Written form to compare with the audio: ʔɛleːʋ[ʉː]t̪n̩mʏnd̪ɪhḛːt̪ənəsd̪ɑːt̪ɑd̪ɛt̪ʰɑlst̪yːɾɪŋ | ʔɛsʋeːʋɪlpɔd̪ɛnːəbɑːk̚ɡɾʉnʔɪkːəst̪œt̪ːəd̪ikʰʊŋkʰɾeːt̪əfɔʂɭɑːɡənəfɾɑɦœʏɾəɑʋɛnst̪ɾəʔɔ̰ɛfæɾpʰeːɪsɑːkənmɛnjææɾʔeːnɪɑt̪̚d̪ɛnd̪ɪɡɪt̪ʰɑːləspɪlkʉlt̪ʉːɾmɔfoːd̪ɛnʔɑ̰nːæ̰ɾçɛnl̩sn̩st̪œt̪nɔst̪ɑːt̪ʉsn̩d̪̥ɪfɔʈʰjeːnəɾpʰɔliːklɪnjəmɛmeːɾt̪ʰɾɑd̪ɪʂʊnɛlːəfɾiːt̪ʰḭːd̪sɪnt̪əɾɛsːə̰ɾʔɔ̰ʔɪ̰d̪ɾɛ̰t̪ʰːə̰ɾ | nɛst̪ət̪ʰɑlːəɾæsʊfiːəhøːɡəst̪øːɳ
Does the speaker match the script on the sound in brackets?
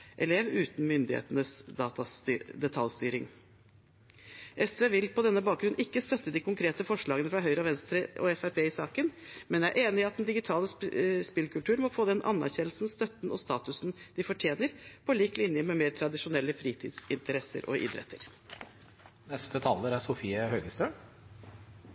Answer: yes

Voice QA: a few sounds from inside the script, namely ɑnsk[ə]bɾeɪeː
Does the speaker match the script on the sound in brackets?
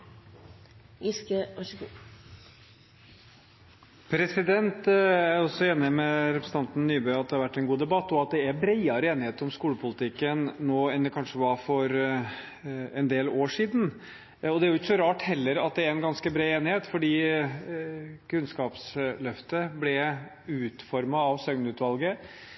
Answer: yes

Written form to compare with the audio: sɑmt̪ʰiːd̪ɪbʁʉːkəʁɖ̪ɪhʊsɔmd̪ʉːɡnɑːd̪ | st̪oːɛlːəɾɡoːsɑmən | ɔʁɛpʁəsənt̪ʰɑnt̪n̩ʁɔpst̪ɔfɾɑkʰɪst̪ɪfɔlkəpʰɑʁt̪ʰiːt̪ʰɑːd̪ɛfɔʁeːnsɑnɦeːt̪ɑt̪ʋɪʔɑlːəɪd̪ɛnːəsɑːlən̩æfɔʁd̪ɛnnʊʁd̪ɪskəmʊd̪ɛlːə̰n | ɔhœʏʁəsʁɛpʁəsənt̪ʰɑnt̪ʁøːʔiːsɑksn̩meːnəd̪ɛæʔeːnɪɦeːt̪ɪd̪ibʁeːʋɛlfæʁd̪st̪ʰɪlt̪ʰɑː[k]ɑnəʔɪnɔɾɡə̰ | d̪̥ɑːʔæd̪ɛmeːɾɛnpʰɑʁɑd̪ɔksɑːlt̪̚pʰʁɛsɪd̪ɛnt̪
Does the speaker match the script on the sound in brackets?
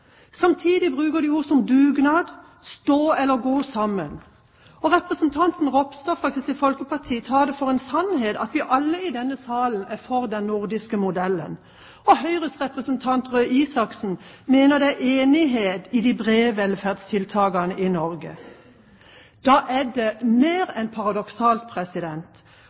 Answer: no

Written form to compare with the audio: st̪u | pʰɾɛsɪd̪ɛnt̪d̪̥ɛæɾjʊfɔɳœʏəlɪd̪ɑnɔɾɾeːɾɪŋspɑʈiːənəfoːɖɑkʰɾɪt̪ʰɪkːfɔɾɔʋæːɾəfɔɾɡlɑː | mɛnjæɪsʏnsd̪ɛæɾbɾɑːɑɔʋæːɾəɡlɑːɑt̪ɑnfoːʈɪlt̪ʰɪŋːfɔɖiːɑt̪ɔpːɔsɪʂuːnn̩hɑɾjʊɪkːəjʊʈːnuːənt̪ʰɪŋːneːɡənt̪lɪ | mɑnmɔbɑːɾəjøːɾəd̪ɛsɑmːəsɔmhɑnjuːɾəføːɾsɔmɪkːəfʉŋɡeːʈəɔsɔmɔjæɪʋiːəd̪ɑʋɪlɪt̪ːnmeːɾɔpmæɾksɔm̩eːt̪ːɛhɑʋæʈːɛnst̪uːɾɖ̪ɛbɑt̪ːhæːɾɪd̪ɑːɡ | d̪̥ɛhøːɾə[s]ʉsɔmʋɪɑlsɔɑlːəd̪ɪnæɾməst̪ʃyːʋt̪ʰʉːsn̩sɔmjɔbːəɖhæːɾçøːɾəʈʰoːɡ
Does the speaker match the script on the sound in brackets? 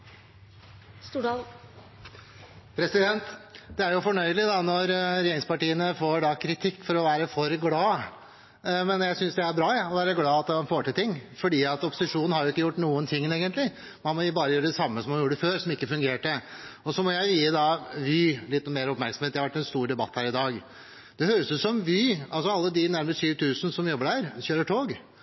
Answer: yes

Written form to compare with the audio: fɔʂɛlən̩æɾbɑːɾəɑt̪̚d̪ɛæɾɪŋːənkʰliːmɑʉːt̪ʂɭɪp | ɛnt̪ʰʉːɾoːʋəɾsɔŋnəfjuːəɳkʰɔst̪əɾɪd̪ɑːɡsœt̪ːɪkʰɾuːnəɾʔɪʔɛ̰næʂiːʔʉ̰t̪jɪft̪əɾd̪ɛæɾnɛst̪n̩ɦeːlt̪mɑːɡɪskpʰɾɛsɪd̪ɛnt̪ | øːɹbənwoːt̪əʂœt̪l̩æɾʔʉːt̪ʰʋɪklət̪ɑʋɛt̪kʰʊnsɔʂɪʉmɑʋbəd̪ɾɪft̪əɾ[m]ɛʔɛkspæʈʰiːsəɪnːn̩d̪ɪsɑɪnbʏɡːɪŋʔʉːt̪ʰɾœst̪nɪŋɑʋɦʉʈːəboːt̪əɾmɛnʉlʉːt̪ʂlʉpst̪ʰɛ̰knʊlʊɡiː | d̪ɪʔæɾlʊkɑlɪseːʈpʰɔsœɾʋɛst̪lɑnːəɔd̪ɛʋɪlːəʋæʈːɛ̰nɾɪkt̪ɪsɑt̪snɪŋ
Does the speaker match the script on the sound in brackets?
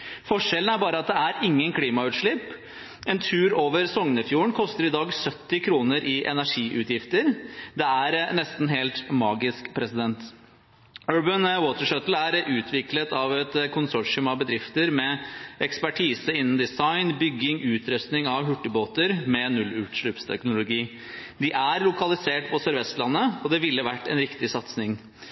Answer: yes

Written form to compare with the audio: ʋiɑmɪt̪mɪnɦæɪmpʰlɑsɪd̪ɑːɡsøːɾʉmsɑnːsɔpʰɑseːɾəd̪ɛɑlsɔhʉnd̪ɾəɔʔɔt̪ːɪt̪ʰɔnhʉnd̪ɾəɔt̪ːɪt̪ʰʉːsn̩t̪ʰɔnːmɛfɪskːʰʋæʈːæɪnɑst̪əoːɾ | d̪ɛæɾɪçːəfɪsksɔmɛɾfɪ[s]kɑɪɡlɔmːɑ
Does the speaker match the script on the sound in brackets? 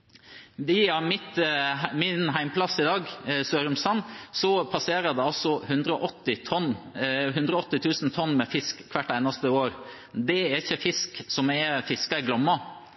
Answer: yes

